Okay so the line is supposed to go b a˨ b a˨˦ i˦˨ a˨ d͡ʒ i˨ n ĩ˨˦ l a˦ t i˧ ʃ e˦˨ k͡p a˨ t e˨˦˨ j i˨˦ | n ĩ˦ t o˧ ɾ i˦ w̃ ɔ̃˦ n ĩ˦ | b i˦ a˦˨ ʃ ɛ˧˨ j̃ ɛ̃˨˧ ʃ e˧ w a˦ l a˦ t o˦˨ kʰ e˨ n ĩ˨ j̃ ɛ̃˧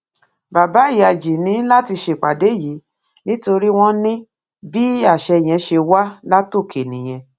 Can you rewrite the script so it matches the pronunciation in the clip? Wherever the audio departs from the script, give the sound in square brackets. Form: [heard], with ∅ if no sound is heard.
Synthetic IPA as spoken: b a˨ b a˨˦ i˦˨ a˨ d͡ʒ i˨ n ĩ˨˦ l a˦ t i˧ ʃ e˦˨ k͡p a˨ [d] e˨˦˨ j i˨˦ | n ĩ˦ t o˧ ɾ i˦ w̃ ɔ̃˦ n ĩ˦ | b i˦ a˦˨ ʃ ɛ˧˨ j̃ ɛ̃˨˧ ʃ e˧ w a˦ l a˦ t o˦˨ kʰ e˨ n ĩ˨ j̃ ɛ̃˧